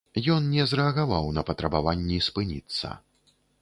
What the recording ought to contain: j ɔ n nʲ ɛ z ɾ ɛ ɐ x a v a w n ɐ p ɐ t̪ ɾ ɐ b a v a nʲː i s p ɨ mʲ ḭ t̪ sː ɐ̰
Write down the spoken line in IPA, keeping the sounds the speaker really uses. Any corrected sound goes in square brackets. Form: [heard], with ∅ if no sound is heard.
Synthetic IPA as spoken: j ɔ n nʲ ɛ z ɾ ɛ ɐ [ɣ] a v a w n ɐ p ɐ t̪ ɾ ɐ b a v a nʲː i s p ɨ [nʲ] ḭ t̪ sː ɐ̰